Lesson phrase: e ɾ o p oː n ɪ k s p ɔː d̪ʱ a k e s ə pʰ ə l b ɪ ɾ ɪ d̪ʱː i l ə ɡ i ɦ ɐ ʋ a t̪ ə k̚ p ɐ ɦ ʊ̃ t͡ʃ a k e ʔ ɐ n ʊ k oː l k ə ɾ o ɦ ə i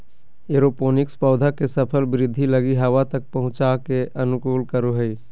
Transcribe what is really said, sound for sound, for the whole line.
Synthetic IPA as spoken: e ɾ o p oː n ɪ k s p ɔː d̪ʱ a k e s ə pʰ ə l b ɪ ɾ ɪ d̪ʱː i l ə ɡ i ɦ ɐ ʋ a t̪ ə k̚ p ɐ ɦ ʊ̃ t͡ʃ a k e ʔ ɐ n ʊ k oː l k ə ɾ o ɦ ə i